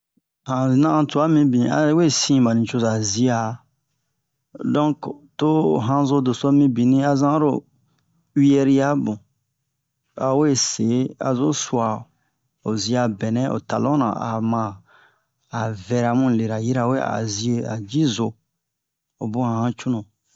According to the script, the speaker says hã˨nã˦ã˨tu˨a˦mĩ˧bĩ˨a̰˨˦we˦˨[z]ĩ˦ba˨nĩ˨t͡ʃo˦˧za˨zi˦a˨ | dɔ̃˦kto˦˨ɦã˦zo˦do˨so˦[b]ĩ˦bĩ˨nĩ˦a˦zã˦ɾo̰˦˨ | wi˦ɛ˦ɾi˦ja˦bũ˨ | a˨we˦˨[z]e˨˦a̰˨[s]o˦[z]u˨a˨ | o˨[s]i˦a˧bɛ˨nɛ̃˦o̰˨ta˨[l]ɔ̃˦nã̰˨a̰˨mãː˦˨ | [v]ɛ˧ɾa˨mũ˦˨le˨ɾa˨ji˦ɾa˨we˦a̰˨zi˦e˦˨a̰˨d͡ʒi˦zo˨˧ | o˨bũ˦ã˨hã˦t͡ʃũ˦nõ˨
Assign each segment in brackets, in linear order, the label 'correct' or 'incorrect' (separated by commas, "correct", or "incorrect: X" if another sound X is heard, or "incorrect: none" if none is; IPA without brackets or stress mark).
incorrect: s, incorrect: m, incorrect: s, incorrect: z, incorrect: s, incorrect: z, correct, correct